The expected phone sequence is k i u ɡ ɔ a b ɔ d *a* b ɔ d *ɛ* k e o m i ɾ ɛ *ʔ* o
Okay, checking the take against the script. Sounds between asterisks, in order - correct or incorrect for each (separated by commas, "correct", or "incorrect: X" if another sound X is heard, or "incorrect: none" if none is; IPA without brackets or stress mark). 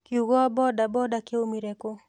correct, incorrect: a, incorrect: k